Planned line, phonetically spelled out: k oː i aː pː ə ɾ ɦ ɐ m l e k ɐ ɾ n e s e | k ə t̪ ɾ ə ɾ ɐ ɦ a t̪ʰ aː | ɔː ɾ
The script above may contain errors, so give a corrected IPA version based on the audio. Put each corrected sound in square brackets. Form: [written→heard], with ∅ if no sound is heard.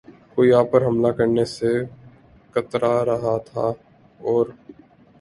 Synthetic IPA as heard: k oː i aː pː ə ɾ ɦ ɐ m l [e→a] k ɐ ɾ n e s e | k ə t̪ ɾ [ə→a] ɾ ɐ ɦ a t̪ʰ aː | ɔː ɾ